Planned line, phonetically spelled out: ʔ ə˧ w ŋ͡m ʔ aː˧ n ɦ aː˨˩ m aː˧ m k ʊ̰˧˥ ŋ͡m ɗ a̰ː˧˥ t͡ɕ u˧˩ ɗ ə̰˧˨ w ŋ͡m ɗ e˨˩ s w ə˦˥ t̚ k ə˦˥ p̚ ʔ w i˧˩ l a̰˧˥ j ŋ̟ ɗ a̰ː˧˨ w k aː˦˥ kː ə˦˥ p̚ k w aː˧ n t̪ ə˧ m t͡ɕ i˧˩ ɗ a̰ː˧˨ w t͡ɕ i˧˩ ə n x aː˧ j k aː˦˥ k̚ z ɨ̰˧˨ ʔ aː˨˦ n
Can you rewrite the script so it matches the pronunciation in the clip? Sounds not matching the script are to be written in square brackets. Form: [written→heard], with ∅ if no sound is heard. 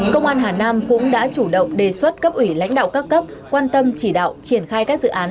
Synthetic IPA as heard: [ʔ→k] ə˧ w ŋ͡m ʔ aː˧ n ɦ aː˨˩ [m→n] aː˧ m k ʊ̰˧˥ ŋ͡m ɗ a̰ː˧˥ t͡ɕ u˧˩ ɗ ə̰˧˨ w ŋ͡m ɗ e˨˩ s w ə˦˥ t̚ k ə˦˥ p̚ ʔ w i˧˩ l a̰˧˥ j ŋ̟ ɗ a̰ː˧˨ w k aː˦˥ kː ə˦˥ p̚ k w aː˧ n t̪ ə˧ m t͡ɕ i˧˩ ɗ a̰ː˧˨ w t͡ɕ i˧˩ ə n x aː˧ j k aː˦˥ k̚ z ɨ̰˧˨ ʔ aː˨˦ n